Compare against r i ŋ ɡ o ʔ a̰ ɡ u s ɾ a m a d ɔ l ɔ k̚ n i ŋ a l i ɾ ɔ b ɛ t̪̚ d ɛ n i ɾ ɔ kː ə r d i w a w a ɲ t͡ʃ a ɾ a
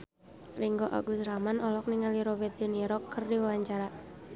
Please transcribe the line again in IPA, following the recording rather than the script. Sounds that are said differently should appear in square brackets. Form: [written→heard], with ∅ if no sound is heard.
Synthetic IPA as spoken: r i ŋ ɡ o ʔ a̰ ɡ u s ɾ a m a [d→n] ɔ l ɔ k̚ n i ŋ a l i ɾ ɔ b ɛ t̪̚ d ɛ n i ɾ ɔ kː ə r d i w a w a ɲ t͡ʃ a ɾ a